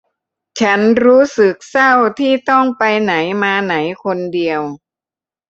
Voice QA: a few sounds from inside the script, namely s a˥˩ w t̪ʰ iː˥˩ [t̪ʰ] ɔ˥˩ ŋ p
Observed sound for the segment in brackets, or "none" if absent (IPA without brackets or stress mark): t̪